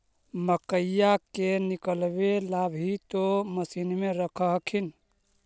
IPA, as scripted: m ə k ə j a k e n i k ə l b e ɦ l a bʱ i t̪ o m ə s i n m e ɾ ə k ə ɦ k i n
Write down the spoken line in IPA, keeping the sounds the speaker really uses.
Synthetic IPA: m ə k ə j a k e n i k ə l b e l a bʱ i t̪ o m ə s i n m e ɾ ə kʰ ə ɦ kʰ i n